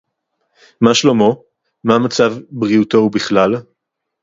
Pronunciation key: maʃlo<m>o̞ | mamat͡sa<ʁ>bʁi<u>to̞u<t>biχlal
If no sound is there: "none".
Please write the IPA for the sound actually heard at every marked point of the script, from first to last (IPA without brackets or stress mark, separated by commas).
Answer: m, v, u, none